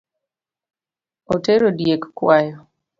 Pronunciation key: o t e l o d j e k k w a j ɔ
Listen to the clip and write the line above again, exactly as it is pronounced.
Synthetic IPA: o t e ɾ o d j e k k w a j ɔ

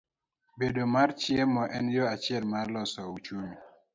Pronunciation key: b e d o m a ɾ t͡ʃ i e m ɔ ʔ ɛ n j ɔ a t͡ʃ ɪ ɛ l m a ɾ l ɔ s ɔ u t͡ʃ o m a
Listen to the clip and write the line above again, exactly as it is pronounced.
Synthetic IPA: b e d o m a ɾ t͡ʃ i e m ɔ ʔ ɛ n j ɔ a t͡ʃ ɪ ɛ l m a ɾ l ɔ s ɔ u t͡ʃ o m i

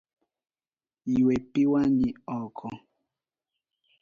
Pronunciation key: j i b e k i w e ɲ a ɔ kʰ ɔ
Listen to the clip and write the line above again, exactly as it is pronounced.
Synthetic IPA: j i w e p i w a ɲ i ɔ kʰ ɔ

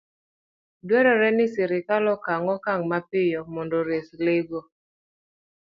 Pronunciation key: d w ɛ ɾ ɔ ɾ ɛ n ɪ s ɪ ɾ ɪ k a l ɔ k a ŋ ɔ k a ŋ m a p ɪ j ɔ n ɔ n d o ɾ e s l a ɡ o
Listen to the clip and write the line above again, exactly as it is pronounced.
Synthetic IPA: d w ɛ ɾ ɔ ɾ ɛ n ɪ s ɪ ɾ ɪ k a l ɔ k a ŋ ɔ k a ŋ m a p ɪ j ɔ m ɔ n d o ɾ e s l e ɡ o

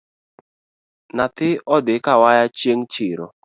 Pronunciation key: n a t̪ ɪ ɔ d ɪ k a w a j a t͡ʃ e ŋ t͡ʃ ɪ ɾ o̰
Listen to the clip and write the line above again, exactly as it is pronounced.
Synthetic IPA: n a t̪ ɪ ɔ d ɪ k a w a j a t͡ʃ e ŋ t͡ʃ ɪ ɾ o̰

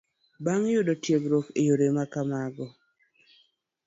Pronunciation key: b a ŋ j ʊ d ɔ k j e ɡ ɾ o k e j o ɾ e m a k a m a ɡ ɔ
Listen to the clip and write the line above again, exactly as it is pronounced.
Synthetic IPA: b a ŋ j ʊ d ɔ t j e ɡ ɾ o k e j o ɾ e m a k a m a ɡ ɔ

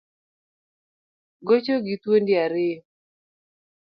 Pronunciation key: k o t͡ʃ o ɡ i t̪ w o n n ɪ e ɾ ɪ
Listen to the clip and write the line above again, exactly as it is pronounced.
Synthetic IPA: ɡ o t͡ʃ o ɡ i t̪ w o n d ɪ a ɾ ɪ

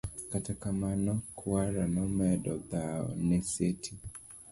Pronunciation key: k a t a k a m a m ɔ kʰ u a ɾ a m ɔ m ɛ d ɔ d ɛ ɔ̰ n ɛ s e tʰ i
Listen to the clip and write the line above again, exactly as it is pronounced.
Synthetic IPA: k a t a k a m a n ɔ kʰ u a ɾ a n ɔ m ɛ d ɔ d a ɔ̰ n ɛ s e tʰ i

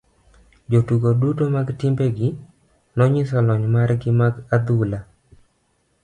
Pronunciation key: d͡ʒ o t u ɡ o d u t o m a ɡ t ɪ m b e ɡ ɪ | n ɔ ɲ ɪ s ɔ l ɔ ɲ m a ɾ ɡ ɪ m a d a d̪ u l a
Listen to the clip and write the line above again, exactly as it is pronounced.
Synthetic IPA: d͡ʒ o t u ɡ o d u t o m a ɡ t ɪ m b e ɡ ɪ | n ɔ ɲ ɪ s ɔ l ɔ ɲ m a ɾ ɡ ɪ m a ɡ a d̪ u l a

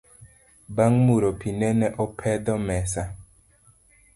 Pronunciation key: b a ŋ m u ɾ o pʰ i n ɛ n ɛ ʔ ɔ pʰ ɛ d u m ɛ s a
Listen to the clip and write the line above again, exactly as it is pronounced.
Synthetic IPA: b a ŋ m u ɾ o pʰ i n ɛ n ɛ ʔ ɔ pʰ ɛ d ɔ m ɛ s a

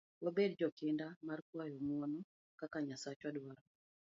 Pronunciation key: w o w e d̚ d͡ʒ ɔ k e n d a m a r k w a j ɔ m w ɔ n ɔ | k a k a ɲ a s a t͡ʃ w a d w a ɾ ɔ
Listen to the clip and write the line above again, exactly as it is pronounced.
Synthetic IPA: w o b e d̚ d͡ʒ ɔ k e n d a m a r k w a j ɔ m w ɔ n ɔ | k a k a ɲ a s a t͡ʃ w a d w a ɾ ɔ

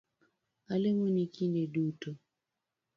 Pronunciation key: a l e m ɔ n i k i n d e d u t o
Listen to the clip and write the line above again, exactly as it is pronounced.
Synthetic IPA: a l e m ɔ n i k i n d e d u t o

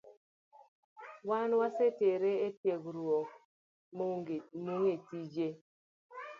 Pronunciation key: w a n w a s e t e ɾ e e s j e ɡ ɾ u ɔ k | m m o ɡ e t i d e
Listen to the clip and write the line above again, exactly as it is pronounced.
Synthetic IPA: w a n w a s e t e ɾ e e t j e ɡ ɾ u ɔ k | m m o ŋ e t i d͡ʒ e

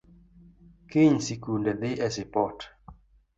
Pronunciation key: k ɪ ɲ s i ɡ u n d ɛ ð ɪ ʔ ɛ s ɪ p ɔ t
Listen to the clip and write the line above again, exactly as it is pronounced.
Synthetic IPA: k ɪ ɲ s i k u n d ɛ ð ɪ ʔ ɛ s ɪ p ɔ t

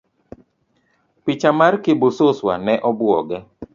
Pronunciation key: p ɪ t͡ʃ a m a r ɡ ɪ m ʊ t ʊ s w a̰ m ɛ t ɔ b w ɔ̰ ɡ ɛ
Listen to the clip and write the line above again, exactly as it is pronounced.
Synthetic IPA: p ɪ t͡ʃ a m a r k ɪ b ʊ s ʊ s w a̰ n ɛ ʔ ɔ b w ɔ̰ ɡ ɛ

